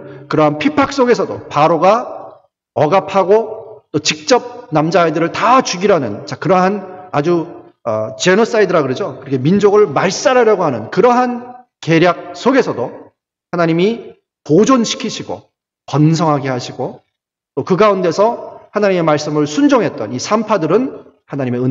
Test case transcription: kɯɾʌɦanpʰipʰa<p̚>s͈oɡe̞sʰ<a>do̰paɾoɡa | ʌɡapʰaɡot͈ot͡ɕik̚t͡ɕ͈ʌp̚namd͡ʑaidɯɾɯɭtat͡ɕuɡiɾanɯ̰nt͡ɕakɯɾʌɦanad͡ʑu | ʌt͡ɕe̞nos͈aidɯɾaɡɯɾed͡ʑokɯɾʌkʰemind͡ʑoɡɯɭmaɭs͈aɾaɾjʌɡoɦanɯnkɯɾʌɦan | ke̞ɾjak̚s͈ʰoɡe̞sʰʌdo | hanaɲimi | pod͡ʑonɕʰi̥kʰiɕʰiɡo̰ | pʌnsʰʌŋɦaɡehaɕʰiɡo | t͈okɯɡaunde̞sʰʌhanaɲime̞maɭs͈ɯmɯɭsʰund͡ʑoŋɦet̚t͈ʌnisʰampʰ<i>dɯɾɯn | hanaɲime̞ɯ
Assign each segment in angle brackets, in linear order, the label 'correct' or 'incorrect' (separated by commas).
incorrect, incorrect, incorrect